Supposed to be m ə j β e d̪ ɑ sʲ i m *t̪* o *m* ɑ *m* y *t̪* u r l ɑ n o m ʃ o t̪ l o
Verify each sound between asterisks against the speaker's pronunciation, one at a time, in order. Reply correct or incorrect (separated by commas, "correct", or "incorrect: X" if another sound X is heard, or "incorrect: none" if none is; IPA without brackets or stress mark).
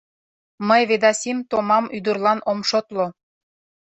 correct, correct, correct, incorrect: d̪